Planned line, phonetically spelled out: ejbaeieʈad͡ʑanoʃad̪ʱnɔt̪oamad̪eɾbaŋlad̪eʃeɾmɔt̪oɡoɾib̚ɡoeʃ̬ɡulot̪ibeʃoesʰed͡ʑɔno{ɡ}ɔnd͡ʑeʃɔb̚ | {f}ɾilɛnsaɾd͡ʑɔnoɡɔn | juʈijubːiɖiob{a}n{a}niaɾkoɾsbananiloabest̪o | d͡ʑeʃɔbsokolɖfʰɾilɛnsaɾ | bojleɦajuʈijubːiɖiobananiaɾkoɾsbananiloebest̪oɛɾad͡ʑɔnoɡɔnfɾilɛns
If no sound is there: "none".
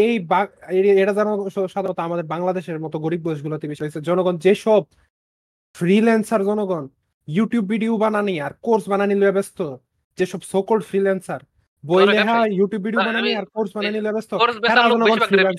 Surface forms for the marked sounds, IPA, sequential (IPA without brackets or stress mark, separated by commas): ɡ, f, a, a